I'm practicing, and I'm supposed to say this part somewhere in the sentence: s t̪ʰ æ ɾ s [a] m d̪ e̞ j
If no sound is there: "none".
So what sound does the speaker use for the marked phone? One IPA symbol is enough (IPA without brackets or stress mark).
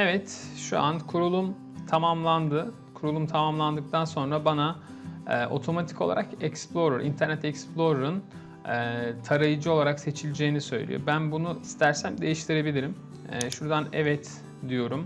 æ